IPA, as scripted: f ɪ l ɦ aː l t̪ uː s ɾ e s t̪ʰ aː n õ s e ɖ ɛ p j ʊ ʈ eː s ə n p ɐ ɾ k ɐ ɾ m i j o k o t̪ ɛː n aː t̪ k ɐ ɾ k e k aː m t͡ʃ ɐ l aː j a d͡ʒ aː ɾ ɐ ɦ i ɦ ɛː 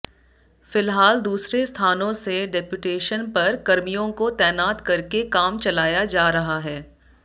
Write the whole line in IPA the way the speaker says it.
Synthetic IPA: f ɪ l ɦ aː l d̪ uː s ɾ e s t̪ʰ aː n õ s e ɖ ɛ p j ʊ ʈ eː ʃ ə n p ɐ ɾ k ɐ ɾ m i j õ k o t̪ ɛː n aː t̪ k ɐ ɾ k e k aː m t͡ʃ ɐ l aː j a d͡ʒ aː ɾ ɐ ɦ a ɦ ɛː